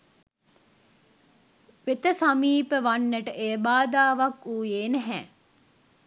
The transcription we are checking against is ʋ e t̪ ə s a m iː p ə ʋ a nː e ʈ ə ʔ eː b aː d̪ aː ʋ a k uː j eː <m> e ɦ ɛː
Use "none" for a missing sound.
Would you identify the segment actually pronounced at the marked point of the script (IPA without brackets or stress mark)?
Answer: n